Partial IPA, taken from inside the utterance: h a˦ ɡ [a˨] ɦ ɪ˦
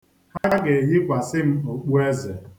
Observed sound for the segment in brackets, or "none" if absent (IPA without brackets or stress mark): e˨